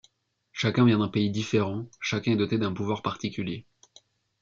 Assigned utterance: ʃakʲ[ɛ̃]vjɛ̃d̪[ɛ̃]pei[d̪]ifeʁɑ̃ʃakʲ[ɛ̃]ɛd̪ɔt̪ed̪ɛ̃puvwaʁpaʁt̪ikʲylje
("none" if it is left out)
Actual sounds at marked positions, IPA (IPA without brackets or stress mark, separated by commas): ɛ̃, ɛ̃, d̪, ɛ̃